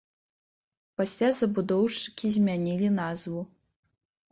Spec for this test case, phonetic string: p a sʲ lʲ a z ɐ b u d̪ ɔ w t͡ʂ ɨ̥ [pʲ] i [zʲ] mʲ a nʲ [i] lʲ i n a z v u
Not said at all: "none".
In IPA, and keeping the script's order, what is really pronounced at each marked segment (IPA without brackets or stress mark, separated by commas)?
kʲ, zʲ, i